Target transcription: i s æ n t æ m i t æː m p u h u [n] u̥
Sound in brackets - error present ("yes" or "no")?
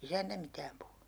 no